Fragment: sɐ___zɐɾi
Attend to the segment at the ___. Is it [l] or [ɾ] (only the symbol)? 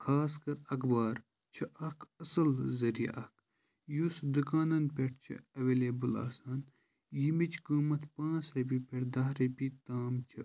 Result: l